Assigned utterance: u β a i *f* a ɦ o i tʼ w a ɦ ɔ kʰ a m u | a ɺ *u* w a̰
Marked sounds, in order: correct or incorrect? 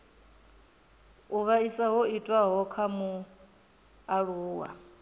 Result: incorrect: s, incorrect: uː

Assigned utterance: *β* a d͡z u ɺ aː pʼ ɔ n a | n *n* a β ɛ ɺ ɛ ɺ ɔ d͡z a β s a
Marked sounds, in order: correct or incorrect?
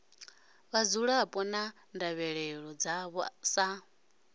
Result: correct, incorrect: d

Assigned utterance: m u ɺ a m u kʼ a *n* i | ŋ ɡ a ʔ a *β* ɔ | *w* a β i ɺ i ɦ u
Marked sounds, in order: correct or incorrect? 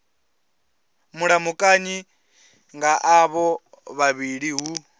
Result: incorrect: ɲ, correct, incorrect: β

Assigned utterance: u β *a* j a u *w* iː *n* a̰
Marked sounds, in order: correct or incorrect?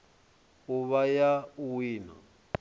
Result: correct, correct, correct

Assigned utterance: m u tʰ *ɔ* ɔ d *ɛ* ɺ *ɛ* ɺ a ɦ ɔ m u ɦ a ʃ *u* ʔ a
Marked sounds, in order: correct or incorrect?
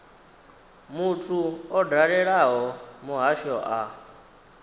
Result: incorrect: u, incorrect: a, correct, incorrect: ɔ

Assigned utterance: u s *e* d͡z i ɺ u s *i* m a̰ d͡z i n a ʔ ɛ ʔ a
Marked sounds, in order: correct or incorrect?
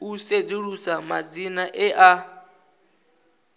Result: correct, incorrect: a

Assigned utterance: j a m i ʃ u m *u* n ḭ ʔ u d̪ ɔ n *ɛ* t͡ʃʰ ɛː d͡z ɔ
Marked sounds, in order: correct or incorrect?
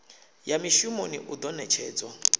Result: incorrect: o, correct

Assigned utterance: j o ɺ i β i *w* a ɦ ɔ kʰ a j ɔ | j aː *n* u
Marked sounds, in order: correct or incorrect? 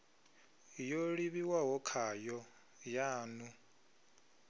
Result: correct, correct

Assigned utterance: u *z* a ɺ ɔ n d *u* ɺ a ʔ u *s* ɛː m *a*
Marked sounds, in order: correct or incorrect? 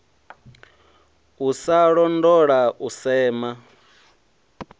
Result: incorrect: s, incorrect: ɔ, correct, correct

